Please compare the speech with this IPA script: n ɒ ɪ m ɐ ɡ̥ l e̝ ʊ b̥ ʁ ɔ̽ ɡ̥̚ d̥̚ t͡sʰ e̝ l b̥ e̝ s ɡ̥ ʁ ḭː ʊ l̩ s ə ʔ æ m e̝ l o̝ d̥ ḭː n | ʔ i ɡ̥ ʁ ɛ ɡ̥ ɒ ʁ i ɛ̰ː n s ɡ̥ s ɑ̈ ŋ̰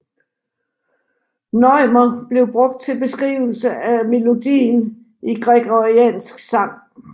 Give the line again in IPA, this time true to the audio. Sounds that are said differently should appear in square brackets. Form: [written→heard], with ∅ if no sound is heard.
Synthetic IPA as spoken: n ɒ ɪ m ɐ [ɡ̥→b̥] l e̝ ʊ b̥ ʁ ɔ̽ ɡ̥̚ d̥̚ t͡sʰ e̝ l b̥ e̝ s ɡ̥ ʁ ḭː ʊ l̩ s ə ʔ æ m e̝ l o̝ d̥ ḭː n | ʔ i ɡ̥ ʁ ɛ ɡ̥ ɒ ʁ i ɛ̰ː n s ɡ̥ s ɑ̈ ŋ̰